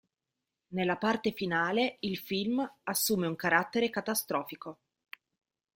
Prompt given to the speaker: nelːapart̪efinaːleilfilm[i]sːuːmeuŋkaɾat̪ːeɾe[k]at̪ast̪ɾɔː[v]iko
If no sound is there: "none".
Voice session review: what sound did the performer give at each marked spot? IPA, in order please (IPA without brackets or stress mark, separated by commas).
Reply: a, k, f